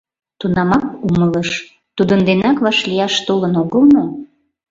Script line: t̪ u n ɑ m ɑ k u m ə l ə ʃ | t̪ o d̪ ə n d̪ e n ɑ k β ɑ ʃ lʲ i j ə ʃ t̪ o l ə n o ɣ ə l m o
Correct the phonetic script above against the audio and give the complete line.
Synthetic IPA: t̪ u n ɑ m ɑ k u m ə l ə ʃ | t̪ u d̪ ə n d̪ e n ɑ k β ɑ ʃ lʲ i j ɑ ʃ t̪ o l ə n o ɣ ə l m o